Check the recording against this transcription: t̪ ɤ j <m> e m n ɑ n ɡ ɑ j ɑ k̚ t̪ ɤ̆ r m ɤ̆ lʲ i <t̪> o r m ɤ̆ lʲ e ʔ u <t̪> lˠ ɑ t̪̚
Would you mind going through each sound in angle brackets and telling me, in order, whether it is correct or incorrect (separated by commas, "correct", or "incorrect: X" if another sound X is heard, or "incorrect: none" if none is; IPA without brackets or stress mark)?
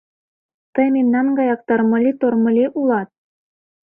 correct, correct, incorrect: none